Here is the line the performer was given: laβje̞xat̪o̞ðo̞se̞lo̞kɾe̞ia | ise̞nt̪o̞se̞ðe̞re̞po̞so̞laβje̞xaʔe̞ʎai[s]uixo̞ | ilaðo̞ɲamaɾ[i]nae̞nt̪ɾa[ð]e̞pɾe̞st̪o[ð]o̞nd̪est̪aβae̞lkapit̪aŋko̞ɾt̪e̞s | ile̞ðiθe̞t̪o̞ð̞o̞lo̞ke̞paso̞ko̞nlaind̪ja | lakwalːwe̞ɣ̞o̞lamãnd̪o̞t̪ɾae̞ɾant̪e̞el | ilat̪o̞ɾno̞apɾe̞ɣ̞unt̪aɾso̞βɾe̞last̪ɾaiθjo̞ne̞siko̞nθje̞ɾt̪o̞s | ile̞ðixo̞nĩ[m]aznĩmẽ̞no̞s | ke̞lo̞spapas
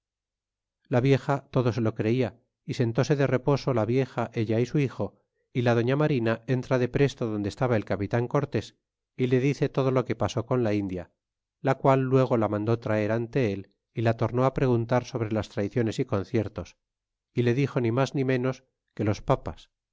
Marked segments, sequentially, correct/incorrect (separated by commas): correct, correct, correct, correct, correct